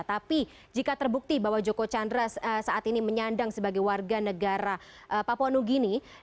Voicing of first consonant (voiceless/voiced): voiceless